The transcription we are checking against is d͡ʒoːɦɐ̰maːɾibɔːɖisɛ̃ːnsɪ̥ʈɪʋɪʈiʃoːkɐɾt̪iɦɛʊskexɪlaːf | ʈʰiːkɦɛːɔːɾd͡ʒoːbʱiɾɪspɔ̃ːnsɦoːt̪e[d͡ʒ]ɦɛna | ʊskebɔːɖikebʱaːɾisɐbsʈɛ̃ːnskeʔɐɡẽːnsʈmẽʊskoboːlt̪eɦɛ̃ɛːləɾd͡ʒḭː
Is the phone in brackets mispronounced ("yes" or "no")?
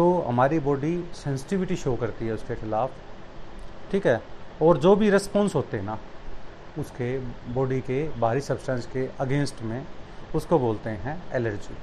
yes